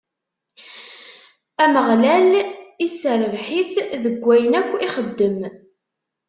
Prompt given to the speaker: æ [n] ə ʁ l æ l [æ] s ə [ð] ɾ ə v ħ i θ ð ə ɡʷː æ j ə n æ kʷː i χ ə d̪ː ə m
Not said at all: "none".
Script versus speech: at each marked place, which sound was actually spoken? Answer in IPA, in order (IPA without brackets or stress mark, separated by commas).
m, i, none